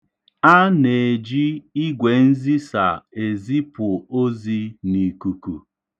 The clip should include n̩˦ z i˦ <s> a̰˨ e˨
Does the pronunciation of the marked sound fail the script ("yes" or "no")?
no